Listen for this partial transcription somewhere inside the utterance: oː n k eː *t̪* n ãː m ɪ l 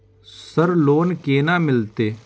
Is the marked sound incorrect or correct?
incorrect